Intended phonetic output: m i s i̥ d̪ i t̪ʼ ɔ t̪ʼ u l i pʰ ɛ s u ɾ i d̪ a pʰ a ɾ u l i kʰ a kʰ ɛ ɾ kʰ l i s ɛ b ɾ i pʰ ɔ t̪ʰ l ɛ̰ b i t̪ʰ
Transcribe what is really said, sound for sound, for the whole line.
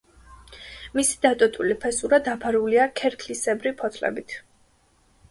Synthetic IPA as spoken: m i s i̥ d̪ a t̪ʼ ɔ t̪ʼ u l i pʰ ɛ s u ɾ a d̪ a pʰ a ɾ u l i a kʰ ɛ ɾ kʰ l i s ɛ b ɾ i pʰ ɔ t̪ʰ l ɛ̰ b i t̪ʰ